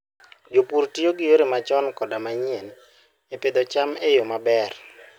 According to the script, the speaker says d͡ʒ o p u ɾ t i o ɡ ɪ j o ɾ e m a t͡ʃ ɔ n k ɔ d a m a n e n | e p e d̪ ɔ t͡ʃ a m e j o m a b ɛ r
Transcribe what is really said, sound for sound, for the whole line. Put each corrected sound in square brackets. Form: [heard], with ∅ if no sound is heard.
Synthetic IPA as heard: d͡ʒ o p u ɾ t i o ɡ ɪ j o ɾ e m a t͡ʃ ɔ n k ɔ d a m a [ɲ] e n | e p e d̪ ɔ t͡ʃ a m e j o m a b ɛ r